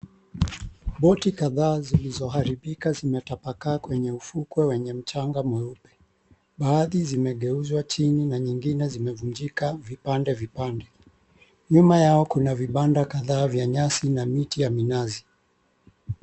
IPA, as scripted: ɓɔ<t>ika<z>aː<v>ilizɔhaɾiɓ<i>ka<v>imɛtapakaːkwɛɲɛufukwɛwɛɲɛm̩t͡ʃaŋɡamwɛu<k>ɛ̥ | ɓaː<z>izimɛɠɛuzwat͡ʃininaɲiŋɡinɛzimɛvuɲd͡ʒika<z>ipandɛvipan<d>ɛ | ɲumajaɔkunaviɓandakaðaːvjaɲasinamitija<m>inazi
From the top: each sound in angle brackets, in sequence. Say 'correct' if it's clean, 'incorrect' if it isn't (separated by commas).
correct, incorrect, incorrect, correct, incorrect, incorrect, incorrect, incorrect, correct, correct